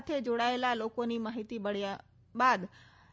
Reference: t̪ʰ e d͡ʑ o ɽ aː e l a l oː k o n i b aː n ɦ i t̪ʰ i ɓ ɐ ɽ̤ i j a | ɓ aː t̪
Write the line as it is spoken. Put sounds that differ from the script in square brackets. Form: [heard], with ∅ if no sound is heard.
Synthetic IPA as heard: t̪ʰ e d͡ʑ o ɽ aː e l a l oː k o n i [m] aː [∅] ɦ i [t̪] i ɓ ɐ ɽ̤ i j a | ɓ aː [d̪]